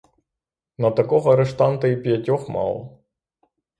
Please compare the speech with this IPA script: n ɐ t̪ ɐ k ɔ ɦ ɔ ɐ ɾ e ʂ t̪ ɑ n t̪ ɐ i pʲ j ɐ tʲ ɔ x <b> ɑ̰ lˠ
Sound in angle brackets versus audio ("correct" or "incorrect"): incorrect